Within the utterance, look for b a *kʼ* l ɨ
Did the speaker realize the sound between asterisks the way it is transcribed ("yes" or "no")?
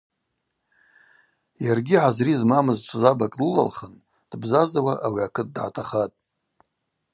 yes